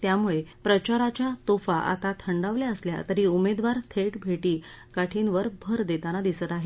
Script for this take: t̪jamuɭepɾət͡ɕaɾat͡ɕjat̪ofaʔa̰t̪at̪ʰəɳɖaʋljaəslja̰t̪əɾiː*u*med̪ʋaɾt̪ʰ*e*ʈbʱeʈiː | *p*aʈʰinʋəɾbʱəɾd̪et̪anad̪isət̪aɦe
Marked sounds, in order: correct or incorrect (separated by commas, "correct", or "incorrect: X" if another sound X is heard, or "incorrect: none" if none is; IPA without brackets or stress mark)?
correct, correct, incorrect: k